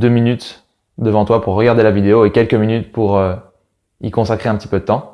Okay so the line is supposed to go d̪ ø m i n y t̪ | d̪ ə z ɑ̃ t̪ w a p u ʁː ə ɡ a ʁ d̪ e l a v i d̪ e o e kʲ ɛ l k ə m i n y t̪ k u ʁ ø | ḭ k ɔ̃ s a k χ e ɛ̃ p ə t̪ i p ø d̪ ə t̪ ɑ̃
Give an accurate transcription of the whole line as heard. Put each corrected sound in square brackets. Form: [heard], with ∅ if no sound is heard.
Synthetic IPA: d̪ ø m i n y t̪ | d̪ ə [v] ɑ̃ t̪ w a p u ʁː ə ɡ a ʁ d̪ e l a v i d̪ e o e kʲ ɛ l k ə m i n y t̪ [p] u ʁ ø | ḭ k ɔ̃ s a k χ e ɛ̃ p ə t̪ i p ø d̪ ə t̪ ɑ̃